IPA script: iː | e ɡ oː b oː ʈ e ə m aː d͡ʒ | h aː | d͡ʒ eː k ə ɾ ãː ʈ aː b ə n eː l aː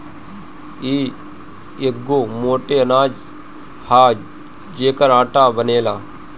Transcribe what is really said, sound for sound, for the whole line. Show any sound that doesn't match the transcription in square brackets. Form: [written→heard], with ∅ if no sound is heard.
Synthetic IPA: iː | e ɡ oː [b→m] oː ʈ e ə [m→n] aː d͡ʒ | h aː | d͡ʒ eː k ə ɾ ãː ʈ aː b ə n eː l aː